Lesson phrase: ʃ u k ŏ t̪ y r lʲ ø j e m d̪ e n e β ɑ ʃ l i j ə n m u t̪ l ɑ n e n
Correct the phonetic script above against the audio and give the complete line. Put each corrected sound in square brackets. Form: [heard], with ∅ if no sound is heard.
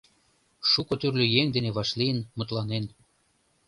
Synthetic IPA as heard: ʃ u k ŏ t̪ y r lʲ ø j e [ŋ] d̪ e n e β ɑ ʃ l i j ə n m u t̪ l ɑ n e n